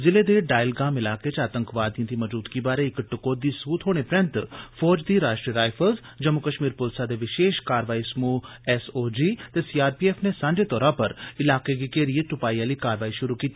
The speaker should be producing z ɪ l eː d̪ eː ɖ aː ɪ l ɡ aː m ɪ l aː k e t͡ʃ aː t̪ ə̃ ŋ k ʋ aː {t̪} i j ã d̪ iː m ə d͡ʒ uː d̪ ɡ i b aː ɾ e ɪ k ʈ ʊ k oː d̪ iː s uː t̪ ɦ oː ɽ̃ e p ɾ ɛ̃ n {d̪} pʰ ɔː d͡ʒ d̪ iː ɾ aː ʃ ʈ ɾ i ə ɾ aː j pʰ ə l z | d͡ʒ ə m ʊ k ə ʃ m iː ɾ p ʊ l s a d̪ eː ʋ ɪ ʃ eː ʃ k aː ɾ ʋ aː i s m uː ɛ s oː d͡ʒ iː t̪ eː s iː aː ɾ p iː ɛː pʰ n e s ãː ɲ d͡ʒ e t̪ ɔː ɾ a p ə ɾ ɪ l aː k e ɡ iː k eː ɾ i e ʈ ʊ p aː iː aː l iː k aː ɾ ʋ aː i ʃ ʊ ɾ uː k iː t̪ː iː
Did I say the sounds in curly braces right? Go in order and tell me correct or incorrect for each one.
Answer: incorrect: d̪, incorrect: t̪

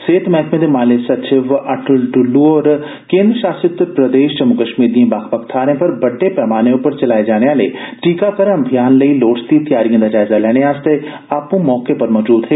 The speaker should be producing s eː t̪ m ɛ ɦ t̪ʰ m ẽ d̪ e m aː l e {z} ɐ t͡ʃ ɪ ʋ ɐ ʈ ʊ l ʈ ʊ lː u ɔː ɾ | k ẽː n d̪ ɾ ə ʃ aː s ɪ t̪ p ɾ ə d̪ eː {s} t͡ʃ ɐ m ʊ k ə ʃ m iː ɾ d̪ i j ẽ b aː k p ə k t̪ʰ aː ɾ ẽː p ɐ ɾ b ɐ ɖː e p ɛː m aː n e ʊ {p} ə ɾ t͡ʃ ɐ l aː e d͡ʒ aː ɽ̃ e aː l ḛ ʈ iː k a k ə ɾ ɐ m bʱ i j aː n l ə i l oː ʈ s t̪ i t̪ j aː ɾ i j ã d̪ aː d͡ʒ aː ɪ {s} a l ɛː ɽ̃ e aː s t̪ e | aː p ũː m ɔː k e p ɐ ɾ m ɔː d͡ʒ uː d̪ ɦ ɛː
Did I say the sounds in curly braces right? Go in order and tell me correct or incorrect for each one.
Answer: incorrect: s, incorrect: ʃ, correct, incorrect: z

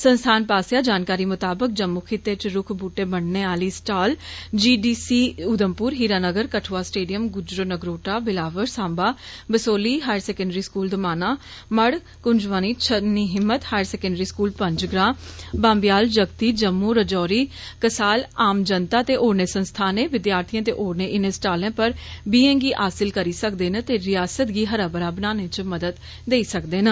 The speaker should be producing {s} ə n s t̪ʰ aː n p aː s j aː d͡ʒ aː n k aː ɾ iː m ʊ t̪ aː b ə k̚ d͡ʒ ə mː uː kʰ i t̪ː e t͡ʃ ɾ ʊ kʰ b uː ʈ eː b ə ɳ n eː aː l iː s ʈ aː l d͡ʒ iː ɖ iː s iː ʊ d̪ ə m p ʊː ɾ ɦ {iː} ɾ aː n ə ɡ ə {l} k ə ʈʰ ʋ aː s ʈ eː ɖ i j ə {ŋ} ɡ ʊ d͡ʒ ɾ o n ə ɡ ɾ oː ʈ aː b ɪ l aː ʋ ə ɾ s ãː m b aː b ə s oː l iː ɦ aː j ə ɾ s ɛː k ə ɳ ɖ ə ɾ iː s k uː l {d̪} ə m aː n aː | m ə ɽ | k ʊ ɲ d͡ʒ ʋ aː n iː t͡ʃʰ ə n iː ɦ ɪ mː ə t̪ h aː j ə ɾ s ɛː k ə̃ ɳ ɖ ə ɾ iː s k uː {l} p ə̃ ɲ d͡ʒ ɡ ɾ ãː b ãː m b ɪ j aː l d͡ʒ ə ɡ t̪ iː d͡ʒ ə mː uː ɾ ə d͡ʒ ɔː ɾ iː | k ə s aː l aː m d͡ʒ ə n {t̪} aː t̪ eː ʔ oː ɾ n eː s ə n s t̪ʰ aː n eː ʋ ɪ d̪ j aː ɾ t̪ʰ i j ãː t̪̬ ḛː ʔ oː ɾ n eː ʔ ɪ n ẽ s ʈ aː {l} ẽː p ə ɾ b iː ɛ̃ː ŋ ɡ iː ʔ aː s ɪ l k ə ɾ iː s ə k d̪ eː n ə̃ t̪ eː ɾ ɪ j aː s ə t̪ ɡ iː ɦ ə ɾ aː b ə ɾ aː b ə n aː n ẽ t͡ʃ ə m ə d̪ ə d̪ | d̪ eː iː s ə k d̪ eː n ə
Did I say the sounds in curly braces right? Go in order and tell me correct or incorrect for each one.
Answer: correct, correct, incorrect: ɾ, incorrect: m, correct, correct, correct, correct

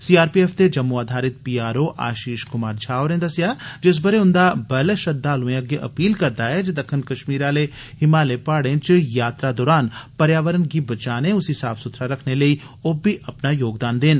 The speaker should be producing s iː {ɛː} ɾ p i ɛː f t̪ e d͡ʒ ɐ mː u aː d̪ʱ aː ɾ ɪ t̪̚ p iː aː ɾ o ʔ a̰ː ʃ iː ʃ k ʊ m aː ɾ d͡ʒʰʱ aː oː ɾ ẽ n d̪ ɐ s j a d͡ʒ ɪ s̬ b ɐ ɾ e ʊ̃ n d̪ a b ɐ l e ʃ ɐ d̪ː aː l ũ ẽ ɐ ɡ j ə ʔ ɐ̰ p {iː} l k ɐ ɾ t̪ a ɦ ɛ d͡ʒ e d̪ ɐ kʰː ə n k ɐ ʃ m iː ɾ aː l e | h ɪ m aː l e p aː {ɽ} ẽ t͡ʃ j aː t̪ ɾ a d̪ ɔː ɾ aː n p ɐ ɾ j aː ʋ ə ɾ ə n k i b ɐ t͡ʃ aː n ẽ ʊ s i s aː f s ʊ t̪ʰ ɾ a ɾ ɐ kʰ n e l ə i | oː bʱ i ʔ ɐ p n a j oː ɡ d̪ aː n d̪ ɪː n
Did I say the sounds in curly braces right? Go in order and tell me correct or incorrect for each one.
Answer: incorrect: aː, correct, correct

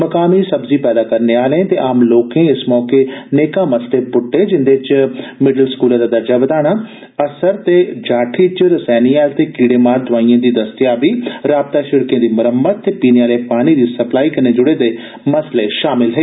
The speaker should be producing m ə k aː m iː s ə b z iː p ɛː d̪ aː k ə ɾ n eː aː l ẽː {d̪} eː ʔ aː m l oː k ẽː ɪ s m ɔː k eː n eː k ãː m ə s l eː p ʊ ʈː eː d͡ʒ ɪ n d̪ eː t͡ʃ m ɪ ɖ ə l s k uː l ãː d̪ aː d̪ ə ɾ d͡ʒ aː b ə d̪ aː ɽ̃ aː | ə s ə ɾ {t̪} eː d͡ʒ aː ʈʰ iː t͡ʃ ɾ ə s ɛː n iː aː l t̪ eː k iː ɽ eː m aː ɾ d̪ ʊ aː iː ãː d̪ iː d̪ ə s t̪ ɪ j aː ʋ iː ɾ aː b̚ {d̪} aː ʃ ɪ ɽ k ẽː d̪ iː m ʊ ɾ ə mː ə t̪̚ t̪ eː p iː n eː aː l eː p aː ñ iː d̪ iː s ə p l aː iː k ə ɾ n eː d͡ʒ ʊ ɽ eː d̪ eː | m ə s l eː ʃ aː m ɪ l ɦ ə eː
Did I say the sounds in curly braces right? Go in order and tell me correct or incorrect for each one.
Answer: incorrect: t̪, correct, incorrect: t̪

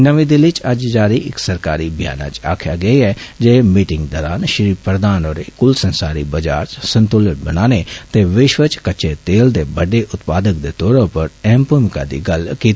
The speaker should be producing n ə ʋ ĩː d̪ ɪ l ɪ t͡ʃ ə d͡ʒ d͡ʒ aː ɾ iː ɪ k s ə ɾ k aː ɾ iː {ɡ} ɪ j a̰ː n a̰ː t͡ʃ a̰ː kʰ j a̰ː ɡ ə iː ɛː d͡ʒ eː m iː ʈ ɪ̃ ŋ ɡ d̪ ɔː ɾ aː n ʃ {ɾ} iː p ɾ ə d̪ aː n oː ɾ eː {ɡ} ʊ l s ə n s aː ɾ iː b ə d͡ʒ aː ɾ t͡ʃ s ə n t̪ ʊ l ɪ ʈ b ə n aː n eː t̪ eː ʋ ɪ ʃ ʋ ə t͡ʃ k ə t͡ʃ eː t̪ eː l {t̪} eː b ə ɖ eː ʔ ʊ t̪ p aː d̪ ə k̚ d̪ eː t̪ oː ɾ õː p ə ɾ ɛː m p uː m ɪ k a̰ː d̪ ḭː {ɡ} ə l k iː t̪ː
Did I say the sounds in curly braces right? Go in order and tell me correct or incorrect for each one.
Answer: incorrect: b, correct, incorrect: k, incorrect: d̪, correct

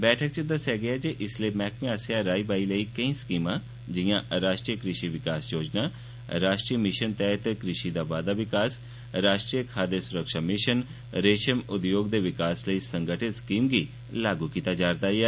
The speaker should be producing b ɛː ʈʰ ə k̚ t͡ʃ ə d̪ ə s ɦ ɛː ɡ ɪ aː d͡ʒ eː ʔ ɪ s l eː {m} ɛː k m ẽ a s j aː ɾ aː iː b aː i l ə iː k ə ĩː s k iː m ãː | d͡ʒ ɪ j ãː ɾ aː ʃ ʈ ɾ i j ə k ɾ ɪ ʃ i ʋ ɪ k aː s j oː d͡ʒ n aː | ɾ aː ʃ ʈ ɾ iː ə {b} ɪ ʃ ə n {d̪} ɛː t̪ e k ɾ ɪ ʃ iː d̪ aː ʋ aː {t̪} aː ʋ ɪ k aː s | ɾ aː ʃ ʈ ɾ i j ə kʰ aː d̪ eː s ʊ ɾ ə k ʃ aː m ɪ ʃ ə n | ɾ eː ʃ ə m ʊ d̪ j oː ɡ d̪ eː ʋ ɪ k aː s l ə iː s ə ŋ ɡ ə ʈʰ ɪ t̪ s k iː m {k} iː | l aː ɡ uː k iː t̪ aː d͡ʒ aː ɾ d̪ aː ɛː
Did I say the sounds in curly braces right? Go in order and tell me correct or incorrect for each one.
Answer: correct, incorrect: m, incorrect: t̪, incorrect: d̪, incorrect: ɡ

